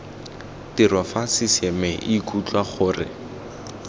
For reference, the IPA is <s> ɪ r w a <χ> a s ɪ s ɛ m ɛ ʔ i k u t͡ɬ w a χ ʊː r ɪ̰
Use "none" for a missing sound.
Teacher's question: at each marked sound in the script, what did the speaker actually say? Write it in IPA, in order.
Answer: t, f

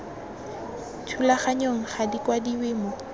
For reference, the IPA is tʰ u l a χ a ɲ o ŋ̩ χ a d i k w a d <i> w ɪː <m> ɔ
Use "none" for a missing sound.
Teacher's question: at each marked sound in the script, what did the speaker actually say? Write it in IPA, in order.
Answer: i, m

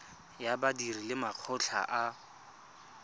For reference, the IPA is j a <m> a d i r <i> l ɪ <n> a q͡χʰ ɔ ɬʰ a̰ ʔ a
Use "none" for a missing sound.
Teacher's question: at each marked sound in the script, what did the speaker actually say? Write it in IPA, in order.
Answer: b, i, m

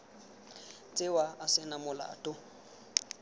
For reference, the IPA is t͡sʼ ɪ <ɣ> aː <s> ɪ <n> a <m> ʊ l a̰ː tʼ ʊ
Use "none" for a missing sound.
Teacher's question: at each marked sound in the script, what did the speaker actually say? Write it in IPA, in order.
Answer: w, s, n, m

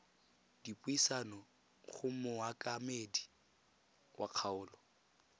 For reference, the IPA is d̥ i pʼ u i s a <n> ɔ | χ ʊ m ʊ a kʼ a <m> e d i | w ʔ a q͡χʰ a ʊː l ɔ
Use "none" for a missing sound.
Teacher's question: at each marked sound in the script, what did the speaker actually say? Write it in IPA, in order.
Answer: n, m

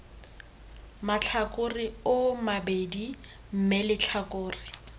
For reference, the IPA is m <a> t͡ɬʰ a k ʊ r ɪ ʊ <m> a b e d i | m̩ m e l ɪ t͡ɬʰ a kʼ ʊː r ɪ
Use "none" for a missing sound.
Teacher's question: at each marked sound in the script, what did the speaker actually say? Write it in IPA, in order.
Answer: a, m

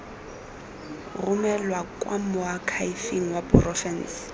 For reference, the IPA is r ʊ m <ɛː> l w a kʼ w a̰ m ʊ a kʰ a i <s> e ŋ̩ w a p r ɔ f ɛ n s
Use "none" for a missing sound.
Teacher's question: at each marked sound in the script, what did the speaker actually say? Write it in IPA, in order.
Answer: ɛ, f

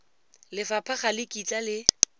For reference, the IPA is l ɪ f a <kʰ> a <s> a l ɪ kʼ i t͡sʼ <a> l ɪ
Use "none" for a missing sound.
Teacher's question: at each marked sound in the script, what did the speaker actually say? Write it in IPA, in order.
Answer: pʰ, χ, a

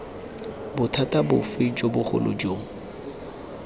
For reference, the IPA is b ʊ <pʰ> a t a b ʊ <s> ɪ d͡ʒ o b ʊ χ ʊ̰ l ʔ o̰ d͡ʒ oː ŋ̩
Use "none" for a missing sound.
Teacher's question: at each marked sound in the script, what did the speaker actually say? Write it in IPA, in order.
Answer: tʰ, f

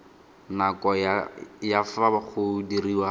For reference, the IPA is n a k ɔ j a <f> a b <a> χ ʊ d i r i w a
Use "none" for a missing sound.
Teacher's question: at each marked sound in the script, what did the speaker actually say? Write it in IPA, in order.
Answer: f, a

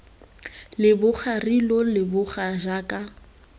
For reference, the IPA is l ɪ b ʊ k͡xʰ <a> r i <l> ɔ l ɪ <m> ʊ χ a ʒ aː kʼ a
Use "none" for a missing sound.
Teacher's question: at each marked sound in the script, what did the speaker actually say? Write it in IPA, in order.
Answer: a, l, b

